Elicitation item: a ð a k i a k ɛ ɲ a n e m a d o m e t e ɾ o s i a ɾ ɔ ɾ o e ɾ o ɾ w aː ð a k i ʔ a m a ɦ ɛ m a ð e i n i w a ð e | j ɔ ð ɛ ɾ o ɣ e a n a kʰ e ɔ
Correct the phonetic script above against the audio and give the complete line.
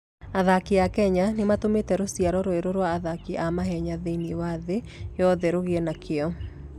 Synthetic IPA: a ð a k i a k ɛ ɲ a n e m a t o m e t ɛ ɾ o s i a ɾ ɔ ɾ o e ɾ o ɾ w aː ð a k i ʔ a m a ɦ ɛ ɲ a ð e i n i w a ð e | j ɔ ð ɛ ɾ o ɣ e ɛ n a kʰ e ɔ